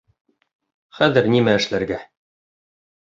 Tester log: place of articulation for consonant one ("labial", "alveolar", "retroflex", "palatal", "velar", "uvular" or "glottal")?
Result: uvular